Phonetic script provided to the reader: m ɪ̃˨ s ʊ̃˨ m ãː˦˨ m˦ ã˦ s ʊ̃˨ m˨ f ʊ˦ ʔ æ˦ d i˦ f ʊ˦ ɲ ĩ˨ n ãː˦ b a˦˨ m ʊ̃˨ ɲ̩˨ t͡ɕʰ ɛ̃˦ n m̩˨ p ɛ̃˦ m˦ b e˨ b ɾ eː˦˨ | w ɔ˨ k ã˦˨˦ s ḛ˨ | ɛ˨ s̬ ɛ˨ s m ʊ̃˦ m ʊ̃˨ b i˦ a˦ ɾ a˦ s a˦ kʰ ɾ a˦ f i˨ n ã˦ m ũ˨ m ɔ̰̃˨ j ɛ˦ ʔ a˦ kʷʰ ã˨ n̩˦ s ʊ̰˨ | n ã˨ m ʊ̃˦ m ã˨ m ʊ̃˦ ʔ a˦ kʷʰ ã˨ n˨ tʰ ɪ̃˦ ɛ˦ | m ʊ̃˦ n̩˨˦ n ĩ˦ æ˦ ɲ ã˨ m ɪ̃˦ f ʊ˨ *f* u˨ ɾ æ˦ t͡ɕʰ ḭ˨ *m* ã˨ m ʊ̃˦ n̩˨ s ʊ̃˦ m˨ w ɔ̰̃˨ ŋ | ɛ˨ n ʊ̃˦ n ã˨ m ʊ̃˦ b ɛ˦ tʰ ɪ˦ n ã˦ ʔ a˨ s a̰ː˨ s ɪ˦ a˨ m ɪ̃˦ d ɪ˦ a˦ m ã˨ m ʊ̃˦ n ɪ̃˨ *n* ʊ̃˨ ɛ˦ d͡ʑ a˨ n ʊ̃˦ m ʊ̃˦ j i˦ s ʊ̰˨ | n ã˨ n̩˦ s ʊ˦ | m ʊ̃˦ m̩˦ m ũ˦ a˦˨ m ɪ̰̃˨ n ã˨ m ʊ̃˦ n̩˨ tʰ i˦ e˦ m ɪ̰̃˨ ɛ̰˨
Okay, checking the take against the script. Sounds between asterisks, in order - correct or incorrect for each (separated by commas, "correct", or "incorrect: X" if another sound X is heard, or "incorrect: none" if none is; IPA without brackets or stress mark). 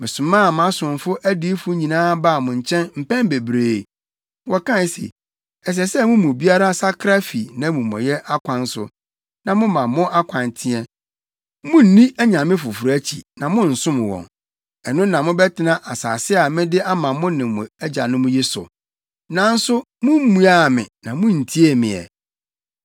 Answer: correct, incorrect: n, incorrect: m